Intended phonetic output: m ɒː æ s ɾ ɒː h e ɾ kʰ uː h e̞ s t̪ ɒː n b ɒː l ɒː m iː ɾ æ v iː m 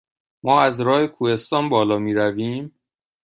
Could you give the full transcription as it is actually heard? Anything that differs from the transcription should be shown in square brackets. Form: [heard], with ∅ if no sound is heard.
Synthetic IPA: m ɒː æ [z] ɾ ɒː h e [∅] kʰ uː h e̞ s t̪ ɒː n b ɒː l ɒː m iː ɾ æ v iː m